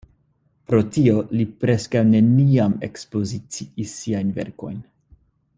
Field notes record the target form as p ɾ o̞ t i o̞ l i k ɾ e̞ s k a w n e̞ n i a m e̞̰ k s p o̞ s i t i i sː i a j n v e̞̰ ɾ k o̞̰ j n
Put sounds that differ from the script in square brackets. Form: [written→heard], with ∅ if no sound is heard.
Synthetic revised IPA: p ɾ o̞ t i o̞ l i [k→p] ɾ e̞ s k a w n e̞ n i a m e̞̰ k s p o̞ [s→z] i [t→t͡s] i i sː i a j n v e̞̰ ɾ k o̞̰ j n